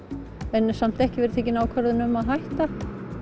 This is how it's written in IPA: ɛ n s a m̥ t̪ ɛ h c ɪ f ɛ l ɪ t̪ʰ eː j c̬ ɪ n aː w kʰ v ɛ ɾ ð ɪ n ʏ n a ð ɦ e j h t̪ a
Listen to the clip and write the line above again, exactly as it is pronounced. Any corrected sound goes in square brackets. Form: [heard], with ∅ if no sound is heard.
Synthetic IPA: ɛ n s a m̥ t̪ ɛ h c ɪ [v] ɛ [ɾ] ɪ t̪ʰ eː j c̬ ɪ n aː w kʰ v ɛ ɾ ð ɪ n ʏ [m] a ð ɦ [a] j h t̪ a